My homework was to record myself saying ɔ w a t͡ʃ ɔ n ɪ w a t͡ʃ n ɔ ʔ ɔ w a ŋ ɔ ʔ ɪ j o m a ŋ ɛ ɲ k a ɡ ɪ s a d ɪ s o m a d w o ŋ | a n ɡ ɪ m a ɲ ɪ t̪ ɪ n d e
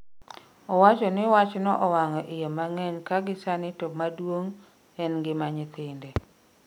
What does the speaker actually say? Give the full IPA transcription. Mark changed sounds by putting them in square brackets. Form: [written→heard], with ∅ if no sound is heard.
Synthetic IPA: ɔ w a t͡ʃ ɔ n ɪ w a t͡ʃ n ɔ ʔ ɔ w a ŋ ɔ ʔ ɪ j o m a ŋ ɛ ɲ k a ɡ ɪ s a [d→n] ɪ [s→t] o m a d w o ŋ | [a→ɛ] n ɡ ɪ m a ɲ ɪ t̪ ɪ n d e